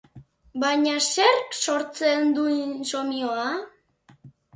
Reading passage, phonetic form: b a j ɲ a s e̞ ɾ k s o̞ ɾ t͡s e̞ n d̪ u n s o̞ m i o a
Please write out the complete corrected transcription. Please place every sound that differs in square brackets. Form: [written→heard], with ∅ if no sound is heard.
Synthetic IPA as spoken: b a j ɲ a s e̞ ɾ k s o̞ ɾ t͡s e̞ n d̪ u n s o̞ m i o a